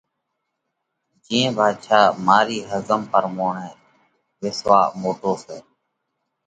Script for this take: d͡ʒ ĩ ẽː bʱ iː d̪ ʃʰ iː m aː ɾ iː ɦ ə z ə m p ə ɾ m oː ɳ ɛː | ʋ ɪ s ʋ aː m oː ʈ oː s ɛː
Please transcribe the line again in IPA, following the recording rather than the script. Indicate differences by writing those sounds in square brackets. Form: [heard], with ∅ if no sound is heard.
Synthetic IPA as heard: d͡ʒ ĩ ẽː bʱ [aː] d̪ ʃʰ [aː] m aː ɾ iː ɦ ə z ə m p ə ɾ m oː ɳ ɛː | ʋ ɪ s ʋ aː m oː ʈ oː s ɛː

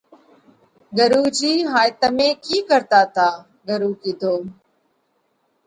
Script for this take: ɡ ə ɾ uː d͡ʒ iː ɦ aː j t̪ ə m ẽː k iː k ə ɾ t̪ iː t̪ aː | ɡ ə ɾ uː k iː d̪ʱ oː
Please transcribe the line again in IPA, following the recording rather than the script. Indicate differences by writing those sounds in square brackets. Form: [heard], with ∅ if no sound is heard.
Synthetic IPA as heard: ɡ ə ɾ uː d͡ʒ iː ɦ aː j t̪ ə m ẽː k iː k ə ɾ t̪ [aː] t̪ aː | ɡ ə ɾ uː k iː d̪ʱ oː

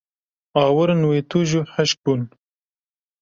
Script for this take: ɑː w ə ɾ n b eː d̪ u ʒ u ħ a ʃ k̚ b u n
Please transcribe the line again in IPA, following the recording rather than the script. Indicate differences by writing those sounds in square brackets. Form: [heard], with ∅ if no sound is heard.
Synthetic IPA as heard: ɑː w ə ɾ n [w] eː [t̪] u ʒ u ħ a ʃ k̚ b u n

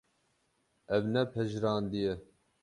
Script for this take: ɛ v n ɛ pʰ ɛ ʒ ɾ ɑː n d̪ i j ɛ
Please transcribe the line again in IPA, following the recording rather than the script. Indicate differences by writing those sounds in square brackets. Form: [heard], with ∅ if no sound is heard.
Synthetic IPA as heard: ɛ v n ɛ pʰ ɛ ʒ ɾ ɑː n d̪ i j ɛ

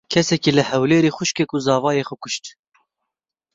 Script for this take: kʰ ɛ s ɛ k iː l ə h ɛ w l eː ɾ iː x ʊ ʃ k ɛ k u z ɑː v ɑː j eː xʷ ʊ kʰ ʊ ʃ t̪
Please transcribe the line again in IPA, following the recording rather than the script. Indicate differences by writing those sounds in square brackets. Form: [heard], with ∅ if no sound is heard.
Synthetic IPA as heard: kʰ ɛ s ɛ k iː l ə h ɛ w l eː ɾ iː x ʊ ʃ k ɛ k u z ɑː v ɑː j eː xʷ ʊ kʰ ʊ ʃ t̪

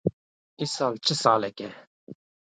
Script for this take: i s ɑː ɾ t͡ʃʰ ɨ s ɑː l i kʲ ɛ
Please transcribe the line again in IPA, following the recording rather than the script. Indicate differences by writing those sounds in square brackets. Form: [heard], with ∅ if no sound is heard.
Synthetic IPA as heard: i s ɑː [l] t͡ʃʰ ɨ s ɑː l [ɛ] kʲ ɛ

